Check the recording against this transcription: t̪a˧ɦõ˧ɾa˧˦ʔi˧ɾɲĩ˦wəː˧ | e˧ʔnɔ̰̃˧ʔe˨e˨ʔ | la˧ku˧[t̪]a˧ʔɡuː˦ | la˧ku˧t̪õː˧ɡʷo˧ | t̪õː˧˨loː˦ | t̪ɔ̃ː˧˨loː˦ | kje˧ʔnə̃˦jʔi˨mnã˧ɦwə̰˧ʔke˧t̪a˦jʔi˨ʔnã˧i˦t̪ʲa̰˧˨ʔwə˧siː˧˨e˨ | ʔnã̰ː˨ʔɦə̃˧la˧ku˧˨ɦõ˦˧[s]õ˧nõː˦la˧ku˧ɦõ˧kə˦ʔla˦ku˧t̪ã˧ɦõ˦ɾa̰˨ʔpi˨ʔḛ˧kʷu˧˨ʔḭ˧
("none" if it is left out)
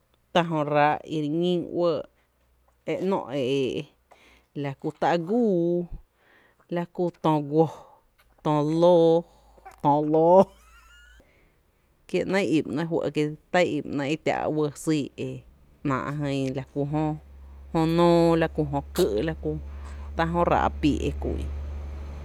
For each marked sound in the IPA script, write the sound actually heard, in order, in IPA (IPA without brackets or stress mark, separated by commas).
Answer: t̪, h